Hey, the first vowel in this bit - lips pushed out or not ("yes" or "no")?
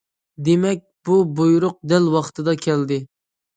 no